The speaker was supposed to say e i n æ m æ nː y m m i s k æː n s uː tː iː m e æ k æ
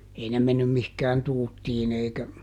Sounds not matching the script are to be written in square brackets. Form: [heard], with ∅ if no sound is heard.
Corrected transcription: e i n [e] m [e] nː y m m i [h] k æː n [t] uː tː iː [n] e [i] k æ